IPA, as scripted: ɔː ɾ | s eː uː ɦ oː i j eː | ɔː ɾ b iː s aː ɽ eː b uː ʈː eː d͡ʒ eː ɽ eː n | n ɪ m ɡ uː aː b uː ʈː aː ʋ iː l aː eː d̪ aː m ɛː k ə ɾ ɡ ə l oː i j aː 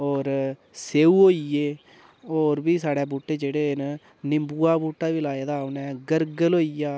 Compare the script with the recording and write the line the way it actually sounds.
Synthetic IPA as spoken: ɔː ɾ | s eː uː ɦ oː i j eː | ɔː ɾ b iː s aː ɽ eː b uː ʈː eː d͡ʒ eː ɽ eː n | n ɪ m b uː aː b uː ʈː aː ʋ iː l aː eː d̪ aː n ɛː ɡ ə ɾ ɡ ə l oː i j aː